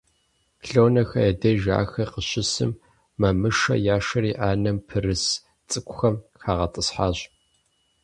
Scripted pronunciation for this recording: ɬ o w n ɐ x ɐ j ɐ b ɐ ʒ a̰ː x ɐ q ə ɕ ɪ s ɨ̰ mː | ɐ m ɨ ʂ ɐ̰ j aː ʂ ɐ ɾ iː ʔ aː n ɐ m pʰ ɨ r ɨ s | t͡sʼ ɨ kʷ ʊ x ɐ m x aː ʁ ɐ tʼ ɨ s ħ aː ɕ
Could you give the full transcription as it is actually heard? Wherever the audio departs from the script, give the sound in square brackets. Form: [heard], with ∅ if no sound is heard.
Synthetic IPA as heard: ɬ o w n ɐ x ɐ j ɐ [d] ɐ ʒ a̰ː x ɐ q ə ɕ ɪ s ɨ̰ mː | ɐ m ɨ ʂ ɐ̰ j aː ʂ ɐ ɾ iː ʔ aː n ɐ m pʰ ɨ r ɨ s | t͡sʼ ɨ kʷ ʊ x ɐ m x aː ʁ ɐ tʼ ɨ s ħ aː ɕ